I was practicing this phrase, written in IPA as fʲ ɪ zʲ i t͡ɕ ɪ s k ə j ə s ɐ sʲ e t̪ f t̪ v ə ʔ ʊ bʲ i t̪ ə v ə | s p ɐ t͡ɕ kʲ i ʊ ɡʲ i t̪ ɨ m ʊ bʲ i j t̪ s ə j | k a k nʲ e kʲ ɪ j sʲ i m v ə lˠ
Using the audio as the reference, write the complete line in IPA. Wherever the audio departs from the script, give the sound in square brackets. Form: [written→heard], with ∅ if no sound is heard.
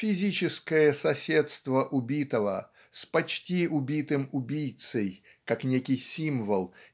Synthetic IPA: fʲ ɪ zʲ i t͡ɕ ɪ s k ə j ə s ɐ sʲ e t̪ [f→s] t̪ v ə ʔ ʊ bʲ i t̪ ə v ə | s p ɐ t͡ɕ [kʲ→tʲ] i ʊ [ɡʲ→bʲ] i t̪ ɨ m ʊ bʲ i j t̪ s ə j | k a k nʲ e kʲ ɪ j sʲ i m v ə lˠ